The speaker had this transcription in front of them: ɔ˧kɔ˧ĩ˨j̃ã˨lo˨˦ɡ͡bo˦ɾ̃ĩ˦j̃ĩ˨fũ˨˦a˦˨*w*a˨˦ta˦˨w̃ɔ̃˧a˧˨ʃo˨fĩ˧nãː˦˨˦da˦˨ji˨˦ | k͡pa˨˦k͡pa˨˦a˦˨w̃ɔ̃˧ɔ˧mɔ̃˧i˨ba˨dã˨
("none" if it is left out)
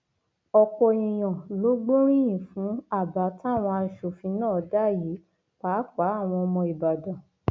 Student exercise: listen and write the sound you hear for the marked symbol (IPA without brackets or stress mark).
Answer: b